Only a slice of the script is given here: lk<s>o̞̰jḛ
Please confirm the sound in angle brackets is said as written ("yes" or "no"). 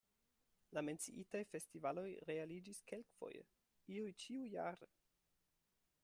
no